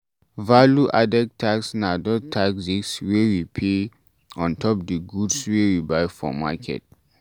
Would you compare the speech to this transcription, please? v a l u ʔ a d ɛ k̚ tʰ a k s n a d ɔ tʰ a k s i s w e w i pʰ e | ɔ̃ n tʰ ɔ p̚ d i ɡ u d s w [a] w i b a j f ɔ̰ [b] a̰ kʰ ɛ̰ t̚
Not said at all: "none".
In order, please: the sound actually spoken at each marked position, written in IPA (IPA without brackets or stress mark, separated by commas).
e, m